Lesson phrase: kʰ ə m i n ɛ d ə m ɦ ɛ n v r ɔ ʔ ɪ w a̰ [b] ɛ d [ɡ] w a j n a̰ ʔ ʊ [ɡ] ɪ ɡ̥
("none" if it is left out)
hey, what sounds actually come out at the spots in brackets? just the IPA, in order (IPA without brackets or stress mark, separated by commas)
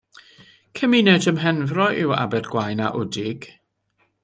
b, ɡ, d